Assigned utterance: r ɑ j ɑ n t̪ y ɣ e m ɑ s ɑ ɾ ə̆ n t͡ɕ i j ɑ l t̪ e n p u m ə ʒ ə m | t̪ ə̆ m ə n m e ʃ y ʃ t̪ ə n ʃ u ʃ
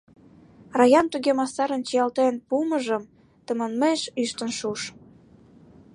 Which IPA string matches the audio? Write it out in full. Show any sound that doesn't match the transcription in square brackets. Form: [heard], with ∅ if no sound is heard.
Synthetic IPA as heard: r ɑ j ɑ n t̪ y ɣ e m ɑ s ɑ ɾ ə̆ n t͡ɕ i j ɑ l t̪ e n p u m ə ʒ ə m | t̪ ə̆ m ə n m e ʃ y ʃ t̪ ə n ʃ u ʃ